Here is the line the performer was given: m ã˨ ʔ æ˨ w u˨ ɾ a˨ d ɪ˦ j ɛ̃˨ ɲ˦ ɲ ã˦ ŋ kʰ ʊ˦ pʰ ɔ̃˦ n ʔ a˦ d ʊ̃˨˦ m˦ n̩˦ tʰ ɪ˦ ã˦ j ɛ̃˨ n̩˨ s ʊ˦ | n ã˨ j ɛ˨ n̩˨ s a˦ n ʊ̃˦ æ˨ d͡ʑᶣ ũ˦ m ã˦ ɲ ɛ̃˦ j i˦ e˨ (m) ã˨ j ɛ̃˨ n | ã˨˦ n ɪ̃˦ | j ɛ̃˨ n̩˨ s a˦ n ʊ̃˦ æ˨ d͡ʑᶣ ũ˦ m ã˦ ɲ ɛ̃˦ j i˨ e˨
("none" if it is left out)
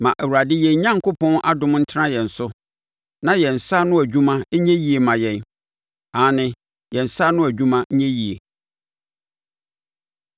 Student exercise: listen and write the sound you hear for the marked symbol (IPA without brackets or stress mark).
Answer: m